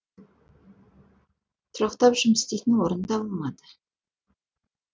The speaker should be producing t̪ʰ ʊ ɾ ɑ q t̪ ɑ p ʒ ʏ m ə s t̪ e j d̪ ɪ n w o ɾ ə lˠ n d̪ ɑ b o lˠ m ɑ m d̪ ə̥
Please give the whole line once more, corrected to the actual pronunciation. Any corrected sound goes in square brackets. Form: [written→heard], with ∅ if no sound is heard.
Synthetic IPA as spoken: t̪ʰ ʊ ɾ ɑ q t̪ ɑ p ʒ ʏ m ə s t̪ e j [d̪→t̪] ɪ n w o ɾ ə [lˠ→∅] n d̪ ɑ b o lˠ m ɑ [m→∅] d̪ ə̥